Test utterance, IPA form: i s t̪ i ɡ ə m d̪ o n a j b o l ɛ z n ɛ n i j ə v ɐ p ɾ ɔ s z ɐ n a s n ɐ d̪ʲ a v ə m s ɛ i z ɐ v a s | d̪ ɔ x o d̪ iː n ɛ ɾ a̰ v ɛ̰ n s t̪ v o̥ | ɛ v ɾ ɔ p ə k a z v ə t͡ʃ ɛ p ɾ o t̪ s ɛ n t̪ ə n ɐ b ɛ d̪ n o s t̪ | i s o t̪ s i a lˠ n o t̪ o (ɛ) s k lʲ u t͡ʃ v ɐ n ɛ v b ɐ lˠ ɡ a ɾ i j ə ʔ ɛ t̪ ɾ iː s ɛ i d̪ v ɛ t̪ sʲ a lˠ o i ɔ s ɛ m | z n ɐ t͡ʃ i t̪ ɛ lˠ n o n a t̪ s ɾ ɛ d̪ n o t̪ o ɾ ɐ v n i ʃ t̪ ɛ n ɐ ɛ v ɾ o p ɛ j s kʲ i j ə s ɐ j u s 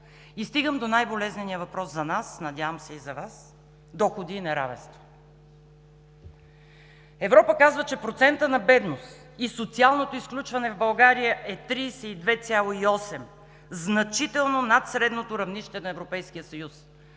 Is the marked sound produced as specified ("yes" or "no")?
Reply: no